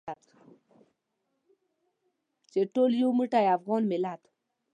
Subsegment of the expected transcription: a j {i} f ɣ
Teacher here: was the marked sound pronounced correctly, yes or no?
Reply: no